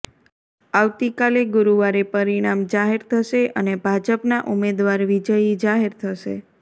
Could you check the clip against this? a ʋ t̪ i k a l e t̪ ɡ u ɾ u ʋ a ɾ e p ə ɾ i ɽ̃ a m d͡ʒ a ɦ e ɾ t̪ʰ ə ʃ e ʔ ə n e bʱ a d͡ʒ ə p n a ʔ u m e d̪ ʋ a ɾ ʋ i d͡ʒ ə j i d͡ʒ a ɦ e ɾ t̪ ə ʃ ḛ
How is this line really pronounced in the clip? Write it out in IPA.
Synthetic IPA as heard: a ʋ t̪ i k a l e ɡ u ɾ u ʋ a ɾ e p ə ɾ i ɽ̃ a m d͡ʒ a ɦ e ɾ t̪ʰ ə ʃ e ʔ ə n e bʱ a d͡ʒ ə p n a ʔ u m e d̪ ʋ a ɾ ʋ i d͡ʒ ə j i d͡ʒ a ɦ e ɾ t̪ʰ ə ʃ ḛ